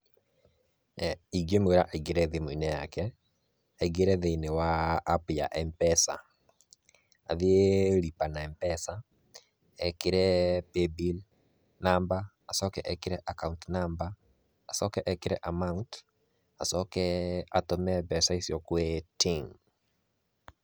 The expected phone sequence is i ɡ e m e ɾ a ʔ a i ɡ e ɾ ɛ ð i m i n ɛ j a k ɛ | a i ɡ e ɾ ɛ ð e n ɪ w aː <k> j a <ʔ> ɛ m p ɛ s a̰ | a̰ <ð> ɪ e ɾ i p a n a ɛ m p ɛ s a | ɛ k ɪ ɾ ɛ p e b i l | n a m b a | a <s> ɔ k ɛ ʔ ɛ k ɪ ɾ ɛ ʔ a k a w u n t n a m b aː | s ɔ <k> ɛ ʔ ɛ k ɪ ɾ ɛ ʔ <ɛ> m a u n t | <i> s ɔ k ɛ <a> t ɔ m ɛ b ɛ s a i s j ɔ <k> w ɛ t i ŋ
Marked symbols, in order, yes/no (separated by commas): no, yes, yes, yes, yes, no, no, yes, yes